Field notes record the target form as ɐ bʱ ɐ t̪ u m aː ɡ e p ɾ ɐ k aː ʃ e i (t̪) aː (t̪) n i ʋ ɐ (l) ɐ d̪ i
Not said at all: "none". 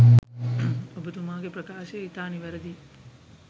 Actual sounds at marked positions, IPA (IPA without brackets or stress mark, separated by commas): t̪, none, ɾ